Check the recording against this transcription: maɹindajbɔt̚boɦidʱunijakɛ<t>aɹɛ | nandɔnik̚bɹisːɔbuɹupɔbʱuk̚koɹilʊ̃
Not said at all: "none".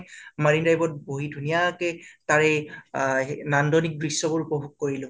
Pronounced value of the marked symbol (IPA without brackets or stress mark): t